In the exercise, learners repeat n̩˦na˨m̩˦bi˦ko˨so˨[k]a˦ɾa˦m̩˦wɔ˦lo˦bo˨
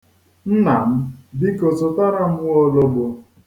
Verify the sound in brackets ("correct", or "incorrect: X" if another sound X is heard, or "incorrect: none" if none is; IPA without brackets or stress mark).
incorrect: t